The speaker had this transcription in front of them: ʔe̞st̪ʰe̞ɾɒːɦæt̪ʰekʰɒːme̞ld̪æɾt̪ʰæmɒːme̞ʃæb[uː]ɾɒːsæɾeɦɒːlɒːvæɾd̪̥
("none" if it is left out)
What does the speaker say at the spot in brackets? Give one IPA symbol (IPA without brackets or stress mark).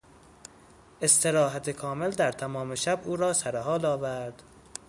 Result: uː